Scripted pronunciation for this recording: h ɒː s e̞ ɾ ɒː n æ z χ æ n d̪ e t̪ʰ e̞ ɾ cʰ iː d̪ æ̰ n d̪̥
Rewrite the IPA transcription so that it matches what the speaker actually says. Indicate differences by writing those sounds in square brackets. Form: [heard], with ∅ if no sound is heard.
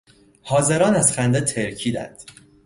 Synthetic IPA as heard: h ɒː [z] e̞ ɾ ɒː n æ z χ æ n d̪ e t̪ʰ e̞ ɾ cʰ iː d̪ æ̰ n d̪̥